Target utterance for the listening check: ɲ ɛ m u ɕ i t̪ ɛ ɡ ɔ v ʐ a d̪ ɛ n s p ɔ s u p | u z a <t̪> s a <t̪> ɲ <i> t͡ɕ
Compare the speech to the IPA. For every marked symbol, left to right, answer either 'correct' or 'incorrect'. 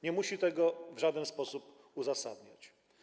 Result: incorrect, incorrect, incorrect

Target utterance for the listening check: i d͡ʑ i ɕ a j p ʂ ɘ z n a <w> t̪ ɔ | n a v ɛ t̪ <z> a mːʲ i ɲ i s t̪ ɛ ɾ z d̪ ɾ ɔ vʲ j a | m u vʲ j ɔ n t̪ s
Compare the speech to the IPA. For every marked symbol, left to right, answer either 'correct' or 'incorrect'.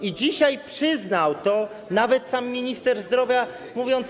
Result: correct, incorrect

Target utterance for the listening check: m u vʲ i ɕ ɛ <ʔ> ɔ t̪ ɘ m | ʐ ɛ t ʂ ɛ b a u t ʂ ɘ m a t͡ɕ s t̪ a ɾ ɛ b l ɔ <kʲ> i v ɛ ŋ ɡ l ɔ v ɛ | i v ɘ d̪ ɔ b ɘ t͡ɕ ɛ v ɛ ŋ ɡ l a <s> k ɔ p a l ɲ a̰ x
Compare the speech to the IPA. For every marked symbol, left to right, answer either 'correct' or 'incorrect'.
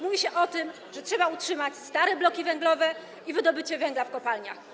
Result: correct, correct, incorrect

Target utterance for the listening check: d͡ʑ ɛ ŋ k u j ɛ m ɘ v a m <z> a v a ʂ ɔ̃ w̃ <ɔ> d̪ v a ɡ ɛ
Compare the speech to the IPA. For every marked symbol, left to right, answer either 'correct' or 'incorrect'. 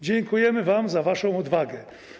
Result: correct, correct

